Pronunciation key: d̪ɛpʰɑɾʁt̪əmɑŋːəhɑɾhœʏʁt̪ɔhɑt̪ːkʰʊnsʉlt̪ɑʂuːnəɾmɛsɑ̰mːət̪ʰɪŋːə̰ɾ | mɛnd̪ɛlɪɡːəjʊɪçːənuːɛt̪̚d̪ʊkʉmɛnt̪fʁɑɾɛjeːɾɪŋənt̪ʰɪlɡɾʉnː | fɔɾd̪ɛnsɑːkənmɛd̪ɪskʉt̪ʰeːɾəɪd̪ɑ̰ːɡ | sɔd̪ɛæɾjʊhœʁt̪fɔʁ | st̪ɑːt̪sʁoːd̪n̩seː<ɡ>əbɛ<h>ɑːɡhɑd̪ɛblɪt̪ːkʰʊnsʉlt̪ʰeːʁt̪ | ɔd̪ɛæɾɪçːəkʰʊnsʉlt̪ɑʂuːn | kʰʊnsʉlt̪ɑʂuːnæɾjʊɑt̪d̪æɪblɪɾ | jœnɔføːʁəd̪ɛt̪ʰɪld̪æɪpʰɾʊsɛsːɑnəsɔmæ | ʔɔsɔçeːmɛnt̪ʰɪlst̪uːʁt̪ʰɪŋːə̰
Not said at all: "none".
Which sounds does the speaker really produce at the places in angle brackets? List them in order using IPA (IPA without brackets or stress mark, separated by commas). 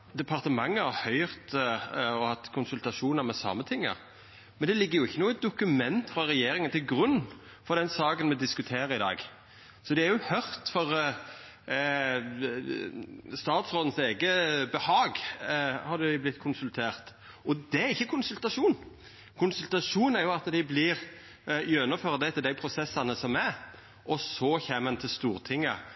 ɡ, h